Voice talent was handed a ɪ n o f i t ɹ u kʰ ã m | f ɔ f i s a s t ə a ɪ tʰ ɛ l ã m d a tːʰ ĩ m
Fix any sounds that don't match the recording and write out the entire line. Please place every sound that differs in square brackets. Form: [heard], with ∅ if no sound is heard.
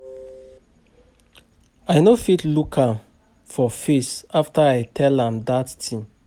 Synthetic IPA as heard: a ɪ n o f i t [l] u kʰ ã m | f ɔ f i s a [f] t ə a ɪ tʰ ɛ l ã m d a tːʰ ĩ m